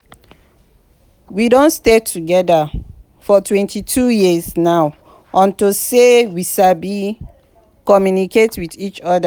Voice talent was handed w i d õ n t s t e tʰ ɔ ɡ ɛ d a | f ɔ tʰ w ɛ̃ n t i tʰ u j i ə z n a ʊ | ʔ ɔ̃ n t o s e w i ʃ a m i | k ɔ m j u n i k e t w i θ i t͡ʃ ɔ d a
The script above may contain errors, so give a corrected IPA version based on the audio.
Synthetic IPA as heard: w i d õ n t s t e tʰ u ɡ ɛ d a | f ɔ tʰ w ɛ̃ n t i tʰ u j i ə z n a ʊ | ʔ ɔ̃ n t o s e w i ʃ a b i | k ɔ m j u n i k e t w i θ i t͡ʃ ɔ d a